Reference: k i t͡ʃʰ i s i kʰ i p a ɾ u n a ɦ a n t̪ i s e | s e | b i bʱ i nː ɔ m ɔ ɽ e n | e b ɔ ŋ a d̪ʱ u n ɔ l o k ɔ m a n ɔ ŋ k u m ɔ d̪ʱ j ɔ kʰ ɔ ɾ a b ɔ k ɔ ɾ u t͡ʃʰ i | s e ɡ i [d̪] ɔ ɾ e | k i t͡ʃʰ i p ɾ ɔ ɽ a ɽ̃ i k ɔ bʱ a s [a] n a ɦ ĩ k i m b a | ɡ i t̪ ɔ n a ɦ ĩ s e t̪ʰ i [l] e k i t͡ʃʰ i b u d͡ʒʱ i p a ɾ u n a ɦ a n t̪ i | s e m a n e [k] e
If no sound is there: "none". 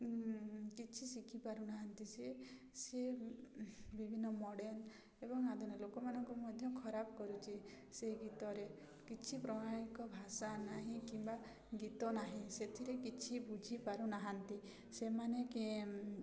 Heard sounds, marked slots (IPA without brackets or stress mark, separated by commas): t̪, a, ɾ, k